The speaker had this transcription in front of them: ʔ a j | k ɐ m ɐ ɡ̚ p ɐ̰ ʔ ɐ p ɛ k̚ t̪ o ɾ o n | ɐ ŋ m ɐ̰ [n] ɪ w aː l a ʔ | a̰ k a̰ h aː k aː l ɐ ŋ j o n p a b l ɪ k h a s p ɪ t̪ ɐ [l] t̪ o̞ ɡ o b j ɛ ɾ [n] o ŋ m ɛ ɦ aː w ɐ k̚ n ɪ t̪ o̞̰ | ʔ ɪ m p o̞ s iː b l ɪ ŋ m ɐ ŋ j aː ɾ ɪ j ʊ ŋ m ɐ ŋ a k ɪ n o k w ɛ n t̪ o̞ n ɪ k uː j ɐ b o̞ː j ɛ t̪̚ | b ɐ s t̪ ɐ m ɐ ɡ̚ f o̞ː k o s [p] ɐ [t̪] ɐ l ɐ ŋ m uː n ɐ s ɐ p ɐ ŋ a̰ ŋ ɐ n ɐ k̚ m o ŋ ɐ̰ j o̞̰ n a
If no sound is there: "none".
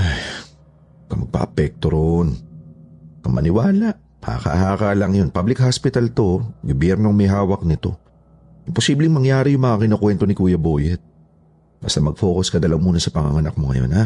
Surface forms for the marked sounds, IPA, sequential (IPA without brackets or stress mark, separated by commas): n, l, n, k, d̪